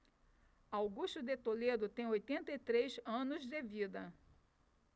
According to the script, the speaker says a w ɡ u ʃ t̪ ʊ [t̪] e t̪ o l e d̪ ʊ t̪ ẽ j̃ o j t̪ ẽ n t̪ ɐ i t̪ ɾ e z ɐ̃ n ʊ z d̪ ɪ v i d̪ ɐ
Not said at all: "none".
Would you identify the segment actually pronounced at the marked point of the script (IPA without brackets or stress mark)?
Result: d̪